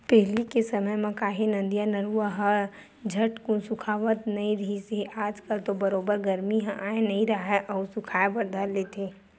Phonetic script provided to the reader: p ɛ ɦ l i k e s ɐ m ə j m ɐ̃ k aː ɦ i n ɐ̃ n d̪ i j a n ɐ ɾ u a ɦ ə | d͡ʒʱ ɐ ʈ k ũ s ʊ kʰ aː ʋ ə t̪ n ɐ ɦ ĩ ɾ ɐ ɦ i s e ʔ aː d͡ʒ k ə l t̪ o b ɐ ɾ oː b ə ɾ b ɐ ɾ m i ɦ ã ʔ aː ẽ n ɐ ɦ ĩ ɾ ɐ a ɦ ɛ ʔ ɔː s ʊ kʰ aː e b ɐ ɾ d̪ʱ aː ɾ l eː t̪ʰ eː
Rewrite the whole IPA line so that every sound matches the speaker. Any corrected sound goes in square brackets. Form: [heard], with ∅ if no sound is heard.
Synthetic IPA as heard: p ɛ ɦ l i k e s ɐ m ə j m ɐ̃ k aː ɦ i n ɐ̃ n d̪ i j a n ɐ ɾ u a ɦ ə | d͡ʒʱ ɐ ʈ k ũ s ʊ kʰ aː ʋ ə t̪ n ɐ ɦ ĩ ɾ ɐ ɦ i s e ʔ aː d͡ʒ k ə l t̪ o b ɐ ɾ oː b ə ɾ [ɡ] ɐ ɾ m i ɦ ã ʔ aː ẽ n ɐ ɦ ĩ ɾ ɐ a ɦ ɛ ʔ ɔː s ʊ kʰ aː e b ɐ ɾ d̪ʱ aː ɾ l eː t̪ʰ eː